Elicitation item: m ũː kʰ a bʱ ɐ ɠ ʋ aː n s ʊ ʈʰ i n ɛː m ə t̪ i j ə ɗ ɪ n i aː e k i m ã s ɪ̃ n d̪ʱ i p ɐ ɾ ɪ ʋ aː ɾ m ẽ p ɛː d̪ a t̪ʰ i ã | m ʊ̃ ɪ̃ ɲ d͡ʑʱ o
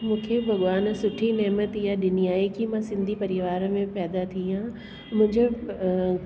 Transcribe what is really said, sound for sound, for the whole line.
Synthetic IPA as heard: m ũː kʰ e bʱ ɐ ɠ ʋ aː n s ʊ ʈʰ i n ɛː m ə t̪ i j a ɗ ɪ n i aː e k i m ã s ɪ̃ n d̪ʱ i p ɐ ɾ ɪ ʋ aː ɾ m ẽ p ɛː d̪ a t̪ʰ i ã | m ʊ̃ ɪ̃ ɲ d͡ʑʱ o

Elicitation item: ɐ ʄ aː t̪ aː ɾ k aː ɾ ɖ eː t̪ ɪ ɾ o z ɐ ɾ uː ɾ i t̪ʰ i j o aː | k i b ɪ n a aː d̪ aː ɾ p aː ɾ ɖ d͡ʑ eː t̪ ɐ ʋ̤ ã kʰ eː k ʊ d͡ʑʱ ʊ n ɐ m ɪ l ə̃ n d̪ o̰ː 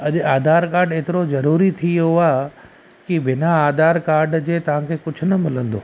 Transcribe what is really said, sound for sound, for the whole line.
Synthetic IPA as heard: ɐ ʄ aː d̪ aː ɾ k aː ɾ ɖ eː t̪ ɪ ɾ o z ɐ ɾ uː ɾ i t̪ʰ i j o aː | k i b ɪ n a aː d̪ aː ɾ k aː ɾ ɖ d͡ʑ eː t̪ ɐ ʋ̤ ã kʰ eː k ʊ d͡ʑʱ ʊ n ɐ m ɪ l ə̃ n d̪ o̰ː

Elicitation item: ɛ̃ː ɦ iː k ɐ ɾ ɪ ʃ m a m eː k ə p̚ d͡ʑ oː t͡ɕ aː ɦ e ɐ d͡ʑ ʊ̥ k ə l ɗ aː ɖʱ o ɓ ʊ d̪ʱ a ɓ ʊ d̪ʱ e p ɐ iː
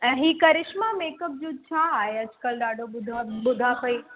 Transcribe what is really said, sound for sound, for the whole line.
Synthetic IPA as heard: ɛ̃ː ɦ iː k ɐ ɾ ɪ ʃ m a m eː k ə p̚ d͡ʑ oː t͡ɕʰ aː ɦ e ɐ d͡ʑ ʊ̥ k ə l ɗ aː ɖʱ o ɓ ʊ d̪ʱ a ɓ ʊ d̪ʱ a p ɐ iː

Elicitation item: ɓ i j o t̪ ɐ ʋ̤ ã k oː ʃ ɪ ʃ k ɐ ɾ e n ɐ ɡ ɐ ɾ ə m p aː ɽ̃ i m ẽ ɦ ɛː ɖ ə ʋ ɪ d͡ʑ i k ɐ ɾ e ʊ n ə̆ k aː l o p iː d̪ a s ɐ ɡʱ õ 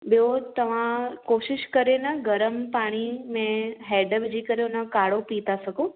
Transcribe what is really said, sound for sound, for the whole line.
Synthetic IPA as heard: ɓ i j o t̪ ɐ ʋ̤ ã k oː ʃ ɪ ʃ k ɐ ɾ e n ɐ ɡ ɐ ɾ ə m p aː ɽ̃ i m ẽ ɦ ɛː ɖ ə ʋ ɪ d͡ʑ i k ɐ ɾ e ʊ n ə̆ k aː ɽ o p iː t̪ a s ɐ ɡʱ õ

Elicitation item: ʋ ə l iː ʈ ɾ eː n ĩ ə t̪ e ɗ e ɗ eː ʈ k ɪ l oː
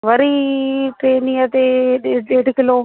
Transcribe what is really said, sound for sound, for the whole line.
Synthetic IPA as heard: ʋ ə ɾ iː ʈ ɾ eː n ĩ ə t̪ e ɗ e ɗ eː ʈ k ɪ l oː

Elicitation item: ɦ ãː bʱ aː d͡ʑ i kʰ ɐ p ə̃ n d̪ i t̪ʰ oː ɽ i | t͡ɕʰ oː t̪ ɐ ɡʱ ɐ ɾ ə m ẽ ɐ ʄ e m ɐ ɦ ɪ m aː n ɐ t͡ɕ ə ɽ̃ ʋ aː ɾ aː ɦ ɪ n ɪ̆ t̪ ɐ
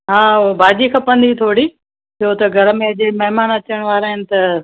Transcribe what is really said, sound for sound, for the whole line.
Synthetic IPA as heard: ɦ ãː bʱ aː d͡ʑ i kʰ ɐ p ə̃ n d̪ i t̪ʰ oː ɽ i | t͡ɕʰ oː t̪ ɐ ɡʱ ɐ ɾ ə m ẽ ɐ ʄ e m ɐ ɦ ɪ m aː n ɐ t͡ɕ ə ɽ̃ ʋ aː ɾ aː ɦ ɪ n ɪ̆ t̪ ɐ

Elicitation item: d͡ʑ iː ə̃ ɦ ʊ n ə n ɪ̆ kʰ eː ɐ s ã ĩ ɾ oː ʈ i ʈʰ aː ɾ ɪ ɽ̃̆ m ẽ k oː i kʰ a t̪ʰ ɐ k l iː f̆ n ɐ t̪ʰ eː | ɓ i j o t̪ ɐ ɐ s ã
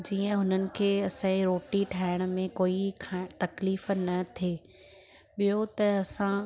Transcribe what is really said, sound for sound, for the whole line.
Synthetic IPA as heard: d͡ʑ iː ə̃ ɦ ʊ n ə n ɪ̆ kʰ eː ɐ s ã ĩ ɾ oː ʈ i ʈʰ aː ɪ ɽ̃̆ m ẽ k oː i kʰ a t̪ ɐ k l iː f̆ n ɐ t̪ʰ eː | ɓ i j o t̪ ɐ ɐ s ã

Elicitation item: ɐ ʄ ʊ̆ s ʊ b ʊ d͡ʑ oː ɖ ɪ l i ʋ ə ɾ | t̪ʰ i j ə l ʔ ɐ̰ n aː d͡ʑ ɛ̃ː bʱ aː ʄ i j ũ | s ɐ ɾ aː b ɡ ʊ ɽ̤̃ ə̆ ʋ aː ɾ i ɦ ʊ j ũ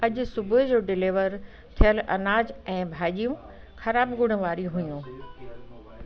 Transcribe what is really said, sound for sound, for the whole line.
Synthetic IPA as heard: ɐ ʄ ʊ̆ s ʊ b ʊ d͡ʑ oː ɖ ɪ l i ʋ ə ɾ | t̪ʰ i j ə l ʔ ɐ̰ n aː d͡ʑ ɛ̃ː bʱ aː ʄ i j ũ | x ɐ ɾ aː b ɡ ʊ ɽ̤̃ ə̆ ʋ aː ɾ i ɦ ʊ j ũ

